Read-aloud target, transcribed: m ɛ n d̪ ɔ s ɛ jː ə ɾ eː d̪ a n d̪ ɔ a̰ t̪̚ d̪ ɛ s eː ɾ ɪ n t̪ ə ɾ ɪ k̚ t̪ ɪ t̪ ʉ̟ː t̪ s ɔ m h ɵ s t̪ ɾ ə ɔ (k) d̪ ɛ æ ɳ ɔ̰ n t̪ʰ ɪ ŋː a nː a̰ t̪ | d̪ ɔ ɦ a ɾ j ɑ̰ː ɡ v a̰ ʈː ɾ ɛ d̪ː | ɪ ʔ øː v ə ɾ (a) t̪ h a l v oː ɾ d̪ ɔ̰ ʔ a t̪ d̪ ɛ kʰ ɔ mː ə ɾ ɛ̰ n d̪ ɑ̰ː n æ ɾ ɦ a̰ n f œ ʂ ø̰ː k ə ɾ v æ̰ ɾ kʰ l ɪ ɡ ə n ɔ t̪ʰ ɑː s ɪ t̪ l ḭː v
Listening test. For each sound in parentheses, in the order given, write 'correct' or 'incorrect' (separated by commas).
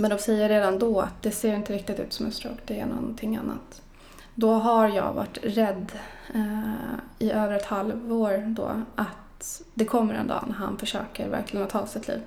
correct, incorrect